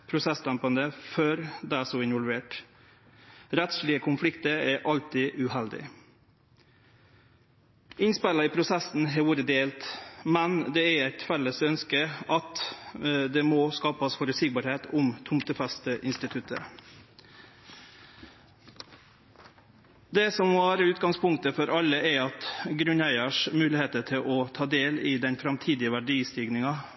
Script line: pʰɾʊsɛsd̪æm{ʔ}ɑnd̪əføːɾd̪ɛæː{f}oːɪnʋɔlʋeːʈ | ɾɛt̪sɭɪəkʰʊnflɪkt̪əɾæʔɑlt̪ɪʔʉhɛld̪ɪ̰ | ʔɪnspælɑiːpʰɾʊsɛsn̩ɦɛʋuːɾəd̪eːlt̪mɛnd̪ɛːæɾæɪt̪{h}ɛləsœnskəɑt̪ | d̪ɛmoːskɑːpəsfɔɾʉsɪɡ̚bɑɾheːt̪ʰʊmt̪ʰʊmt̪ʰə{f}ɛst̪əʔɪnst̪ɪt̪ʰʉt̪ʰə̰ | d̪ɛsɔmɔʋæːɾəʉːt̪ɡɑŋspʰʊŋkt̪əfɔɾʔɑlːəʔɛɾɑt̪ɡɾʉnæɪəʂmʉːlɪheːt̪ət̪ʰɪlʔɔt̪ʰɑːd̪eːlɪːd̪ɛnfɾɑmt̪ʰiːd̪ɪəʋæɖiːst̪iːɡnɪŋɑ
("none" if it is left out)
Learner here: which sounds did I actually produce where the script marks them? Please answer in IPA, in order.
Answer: p, s, f, f

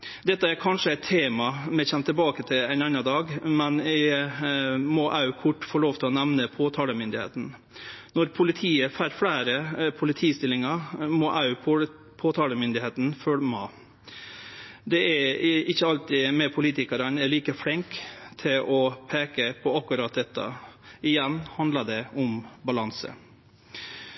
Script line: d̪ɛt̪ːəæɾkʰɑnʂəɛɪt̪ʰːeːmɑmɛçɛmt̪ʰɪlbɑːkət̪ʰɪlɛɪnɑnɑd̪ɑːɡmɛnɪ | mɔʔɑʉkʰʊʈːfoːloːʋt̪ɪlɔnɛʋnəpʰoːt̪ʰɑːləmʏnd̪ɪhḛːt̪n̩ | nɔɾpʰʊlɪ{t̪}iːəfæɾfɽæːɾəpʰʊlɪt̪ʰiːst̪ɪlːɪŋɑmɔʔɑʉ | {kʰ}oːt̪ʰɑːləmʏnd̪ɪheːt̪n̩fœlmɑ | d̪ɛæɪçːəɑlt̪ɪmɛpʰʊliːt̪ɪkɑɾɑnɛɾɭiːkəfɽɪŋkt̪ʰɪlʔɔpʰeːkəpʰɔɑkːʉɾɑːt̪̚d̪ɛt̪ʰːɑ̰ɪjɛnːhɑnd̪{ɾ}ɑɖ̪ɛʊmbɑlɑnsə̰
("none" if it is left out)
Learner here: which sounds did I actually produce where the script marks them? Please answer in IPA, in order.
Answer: t̪ʰ, pʰ, l

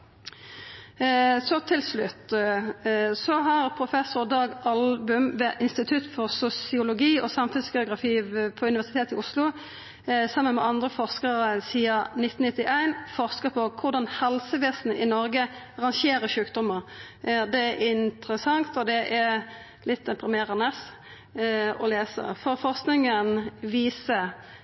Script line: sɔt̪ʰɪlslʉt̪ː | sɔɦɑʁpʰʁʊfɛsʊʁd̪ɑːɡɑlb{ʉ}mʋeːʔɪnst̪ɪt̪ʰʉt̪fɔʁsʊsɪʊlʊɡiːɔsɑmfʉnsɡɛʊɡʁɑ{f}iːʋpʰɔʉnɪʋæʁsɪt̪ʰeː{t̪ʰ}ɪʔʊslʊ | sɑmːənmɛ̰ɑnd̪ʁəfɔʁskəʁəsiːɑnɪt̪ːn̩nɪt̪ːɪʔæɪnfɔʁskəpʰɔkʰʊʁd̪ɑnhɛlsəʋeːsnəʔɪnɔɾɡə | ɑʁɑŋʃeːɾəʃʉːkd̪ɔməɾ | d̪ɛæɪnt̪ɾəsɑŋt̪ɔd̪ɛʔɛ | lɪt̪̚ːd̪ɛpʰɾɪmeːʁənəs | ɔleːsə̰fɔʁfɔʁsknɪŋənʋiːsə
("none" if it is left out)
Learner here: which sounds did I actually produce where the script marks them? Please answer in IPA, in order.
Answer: ʉ, f, t̪

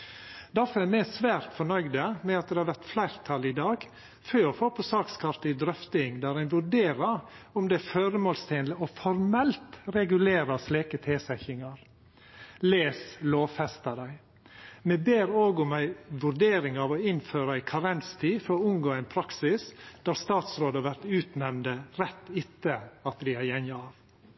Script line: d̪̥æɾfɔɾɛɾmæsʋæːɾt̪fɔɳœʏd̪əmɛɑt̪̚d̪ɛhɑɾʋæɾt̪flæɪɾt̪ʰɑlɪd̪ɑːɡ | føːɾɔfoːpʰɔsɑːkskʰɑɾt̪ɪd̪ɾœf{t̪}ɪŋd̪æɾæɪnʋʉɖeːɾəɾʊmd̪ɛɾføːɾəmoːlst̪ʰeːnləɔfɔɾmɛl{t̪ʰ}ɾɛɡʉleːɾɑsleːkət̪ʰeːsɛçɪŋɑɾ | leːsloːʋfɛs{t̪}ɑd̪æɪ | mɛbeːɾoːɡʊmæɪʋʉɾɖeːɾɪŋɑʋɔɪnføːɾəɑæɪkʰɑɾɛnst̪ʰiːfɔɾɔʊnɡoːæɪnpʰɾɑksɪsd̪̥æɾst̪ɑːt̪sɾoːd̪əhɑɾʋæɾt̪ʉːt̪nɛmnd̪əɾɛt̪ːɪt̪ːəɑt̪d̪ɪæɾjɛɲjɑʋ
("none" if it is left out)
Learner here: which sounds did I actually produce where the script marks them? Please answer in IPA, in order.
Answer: t̪, t̪, t̪

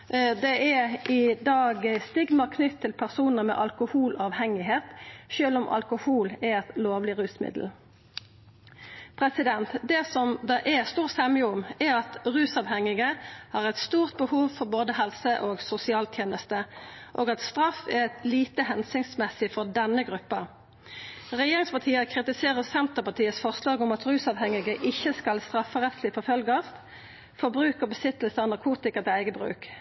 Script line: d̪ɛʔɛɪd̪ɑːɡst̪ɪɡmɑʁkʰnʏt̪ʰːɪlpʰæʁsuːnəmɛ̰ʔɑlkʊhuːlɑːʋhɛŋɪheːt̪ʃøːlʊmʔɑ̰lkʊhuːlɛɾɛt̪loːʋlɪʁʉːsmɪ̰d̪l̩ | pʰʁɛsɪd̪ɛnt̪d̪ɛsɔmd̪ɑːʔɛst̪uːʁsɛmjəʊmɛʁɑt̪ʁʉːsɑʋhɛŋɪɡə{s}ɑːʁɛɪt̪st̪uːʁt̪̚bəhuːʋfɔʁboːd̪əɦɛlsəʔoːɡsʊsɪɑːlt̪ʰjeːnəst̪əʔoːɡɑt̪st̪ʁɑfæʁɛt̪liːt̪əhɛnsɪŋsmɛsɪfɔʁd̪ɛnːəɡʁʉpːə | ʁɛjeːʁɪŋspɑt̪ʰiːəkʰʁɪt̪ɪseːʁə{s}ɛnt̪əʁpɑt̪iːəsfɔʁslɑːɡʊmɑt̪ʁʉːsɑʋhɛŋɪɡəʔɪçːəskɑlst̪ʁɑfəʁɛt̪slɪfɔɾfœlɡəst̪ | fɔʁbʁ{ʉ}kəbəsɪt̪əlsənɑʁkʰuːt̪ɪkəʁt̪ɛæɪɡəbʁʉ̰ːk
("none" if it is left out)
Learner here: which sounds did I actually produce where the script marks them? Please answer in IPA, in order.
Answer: h, s, ʉː

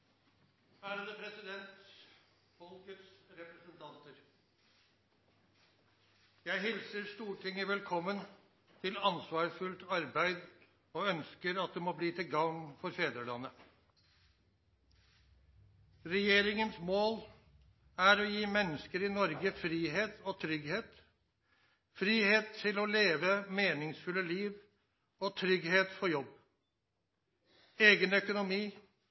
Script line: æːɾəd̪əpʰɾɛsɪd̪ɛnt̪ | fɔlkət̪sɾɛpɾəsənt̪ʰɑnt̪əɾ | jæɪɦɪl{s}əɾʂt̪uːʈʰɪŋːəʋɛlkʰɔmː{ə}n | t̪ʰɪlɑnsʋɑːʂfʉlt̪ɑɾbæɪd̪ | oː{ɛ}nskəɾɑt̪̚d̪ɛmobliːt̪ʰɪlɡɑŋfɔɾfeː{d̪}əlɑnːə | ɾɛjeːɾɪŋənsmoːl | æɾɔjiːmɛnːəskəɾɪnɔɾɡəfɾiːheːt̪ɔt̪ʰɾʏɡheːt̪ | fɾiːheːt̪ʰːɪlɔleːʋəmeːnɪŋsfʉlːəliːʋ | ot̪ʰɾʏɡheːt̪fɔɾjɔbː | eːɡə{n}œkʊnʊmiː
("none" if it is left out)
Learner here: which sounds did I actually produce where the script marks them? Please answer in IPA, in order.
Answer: s, ə, œ, d̪, n

